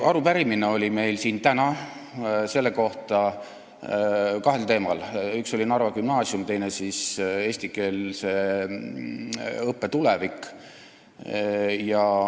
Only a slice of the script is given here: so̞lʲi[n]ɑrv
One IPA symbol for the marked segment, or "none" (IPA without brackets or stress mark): n